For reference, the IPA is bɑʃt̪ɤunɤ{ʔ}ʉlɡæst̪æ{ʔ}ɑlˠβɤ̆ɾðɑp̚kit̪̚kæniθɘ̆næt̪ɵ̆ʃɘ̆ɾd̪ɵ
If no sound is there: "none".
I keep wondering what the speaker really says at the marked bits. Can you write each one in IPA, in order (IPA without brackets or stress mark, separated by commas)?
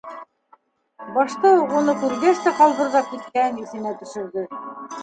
k, q